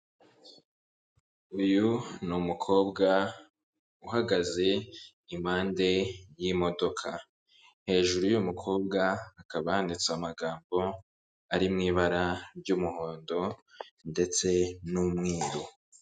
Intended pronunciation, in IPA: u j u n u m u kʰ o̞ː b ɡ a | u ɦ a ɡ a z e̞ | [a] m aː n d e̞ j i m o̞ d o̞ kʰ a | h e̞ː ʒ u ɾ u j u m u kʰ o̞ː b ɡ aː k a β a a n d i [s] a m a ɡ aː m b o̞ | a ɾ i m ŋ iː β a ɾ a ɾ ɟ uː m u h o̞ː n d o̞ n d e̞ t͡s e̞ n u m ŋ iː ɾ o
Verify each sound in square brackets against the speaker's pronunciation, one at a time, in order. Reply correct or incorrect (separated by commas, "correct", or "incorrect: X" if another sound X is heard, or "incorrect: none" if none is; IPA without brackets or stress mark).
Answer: incorrect: i, incorrect: t͡s